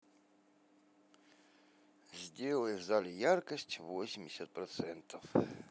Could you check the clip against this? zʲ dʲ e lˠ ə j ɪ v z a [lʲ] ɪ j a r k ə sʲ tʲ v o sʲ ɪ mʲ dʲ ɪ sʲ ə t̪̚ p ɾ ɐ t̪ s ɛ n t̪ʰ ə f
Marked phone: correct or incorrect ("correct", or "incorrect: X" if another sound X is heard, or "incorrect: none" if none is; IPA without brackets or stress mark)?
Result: correct